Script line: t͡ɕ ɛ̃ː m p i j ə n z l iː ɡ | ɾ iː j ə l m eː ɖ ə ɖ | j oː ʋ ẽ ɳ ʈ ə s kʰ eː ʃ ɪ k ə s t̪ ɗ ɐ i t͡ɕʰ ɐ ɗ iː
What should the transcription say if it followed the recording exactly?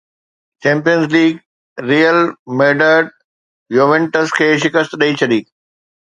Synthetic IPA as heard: t͡ɕ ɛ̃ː m p i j ə n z l iː ɡ | ɾ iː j ə l m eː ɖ ə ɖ | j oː ʋ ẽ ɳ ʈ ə s kʰ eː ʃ ɪ k ə s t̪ ɗ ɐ i t͡ɕʰ ɐ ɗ iː